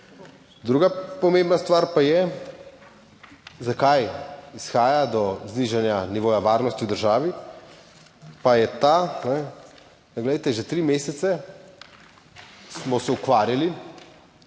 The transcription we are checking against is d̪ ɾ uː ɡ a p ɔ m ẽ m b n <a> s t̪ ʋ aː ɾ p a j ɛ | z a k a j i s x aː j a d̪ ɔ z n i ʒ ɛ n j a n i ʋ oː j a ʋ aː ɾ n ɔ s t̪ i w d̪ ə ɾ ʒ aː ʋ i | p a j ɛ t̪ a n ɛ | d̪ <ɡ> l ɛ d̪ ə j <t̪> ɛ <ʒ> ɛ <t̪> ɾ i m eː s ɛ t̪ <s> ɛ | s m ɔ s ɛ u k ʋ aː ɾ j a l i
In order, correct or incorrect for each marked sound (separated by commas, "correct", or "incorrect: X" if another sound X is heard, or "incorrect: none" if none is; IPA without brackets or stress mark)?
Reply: correct, correct, correct, correct, correct, correct